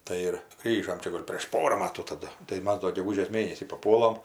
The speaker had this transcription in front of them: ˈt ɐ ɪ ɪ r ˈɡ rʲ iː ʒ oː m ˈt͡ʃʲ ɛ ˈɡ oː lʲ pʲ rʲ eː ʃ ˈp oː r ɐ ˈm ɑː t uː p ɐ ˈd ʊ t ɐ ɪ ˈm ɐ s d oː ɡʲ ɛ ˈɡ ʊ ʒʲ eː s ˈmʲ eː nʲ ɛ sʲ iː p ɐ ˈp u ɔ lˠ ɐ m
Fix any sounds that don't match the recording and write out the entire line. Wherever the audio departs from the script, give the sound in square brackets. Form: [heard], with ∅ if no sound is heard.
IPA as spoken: ˈt ɐ ɪ ɪ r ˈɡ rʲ iː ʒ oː m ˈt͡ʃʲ ɛ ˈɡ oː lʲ pʲ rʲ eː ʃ ˈp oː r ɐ ˈm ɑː t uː [t] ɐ ˈd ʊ t ɐ ɪ ˈm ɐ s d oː ɡʲ ɛ ˈɡ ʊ ʒʲ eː s ˈmʲ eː nʲ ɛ sʲ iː p ɐ ˈp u ɔ lˠ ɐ m